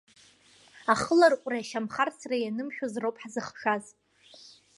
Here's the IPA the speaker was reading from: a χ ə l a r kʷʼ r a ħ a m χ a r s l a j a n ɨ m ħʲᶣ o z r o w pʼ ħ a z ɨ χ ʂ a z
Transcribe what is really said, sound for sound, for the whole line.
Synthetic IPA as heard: a χ ə l a r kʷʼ r a ʃ a m χ a r s r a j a n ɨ m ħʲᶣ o z r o w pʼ ħ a z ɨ χ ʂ a z